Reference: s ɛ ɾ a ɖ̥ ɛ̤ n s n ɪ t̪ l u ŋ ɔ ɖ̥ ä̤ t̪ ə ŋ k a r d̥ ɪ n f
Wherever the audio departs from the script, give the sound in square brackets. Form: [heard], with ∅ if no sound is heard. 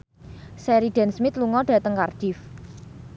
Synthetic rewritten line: s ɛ ɾ [i] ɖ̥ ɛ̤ n s [m] ɪ t̪ l u ŋ ɔ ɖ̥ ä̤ t̪ ə ŋ k a r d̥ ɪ [∅] f